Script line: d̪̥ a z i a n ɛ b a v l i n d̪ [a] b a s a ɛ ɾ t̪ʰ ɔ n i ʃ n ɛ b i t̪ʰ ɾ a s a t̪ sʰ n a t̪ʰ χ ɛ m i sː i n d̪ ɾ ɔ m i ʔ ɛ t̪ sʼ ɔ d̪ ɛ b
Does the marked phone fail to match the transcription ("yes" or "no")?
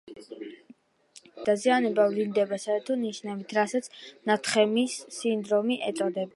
yes